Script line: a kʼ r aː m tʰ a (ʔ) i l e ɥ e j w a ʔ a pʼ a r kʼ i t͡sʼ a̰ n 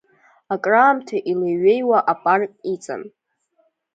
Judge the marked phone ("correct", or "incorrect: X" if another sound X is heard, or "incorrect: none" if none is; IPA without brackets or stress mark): correct